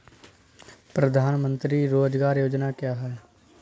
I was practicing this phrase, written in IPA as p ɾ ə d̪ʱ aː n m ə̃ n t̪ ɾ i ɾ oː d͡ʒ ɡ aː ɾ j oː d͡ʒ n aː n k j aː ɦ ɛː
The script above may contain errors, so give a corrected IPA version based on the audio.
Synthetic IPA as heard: p ɾ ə d̪ʱ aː n m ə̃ n t̪ ɾ i ɾ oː d͡ʒ ɡ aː ɾ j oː d͡ʒ n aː k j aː ɦ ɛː